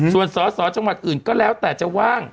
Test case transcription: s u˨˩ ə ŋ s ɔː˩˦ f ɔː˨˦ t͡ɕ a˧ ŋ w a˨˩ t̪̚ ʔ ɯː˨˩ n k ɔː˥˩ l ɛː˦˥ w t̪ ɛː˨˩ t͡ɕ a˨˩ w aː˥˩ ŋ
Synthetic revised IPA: s u˨˩ ə n s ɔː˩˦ s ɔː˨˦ t͡ɕ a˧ ŋ w a˨˩ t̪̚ ʔ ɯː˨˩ n k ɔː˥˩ l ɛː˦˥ w t̪ ɛː˨˩ t͡ɕ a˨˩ w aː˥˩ ŋ